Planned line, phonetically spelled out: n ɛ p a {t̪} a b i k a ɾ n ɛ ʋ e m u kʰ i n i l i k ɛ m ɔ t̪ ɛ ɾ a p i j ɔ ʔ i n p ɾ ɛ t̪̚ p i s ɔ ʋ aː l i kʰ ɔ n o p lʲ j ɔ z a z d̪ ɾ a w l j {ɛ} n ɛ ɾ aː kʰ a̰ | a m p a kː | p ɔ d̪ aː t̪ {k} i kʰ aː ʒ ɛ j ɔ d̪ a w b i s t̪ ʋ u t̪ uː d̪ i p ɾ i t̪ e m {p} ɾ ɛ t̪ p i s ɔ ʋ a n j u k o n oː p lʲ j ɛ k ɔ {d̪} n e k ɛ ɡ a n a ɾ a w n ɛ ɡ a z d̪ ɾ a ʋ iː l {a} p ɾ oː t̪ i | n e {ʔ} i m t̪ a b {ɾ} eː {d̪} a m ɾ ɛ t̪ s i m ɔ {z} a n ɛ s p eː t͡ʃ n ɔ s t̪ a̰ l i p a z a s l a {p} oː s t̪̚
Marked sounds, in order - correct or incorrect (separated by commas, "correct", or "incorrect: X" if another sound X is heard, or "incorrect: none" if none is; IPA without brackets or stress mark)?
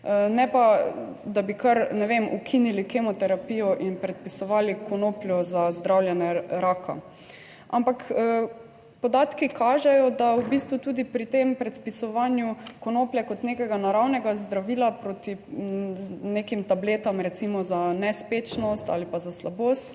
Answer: incorrect: d̪, correct, correct, correct, incorrect: t̪, correct, incorrect: k, incorrect: l, incorrect: t̪, correct, incorrect: b